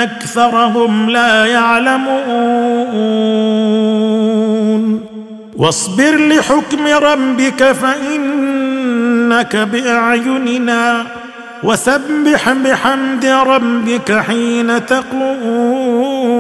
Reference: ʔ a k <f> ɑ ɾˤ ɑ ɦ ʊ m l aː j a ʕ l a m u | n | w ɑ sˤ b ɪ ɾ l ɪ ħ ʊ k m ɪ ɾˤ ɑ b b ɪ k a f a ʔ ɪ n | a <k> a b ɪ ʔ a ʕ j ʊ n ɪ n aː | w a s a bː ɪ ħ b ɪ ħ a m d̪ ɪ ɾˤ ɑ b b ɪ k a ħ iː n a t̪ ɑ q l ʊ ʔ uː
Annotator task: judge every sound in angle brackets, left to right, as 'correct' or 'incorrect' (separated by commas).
incorrect, correct